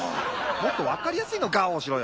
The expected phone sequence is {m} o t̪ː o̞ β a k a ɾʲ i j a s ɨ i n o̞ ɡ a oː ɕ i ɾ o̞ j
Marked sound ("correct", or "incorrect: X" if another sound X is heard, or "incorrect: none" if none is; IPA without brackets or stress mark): correct